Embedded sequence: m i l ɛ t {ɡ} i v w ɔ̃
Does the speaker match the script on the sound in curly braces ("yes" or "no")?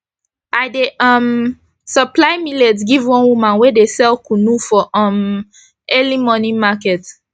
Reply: yes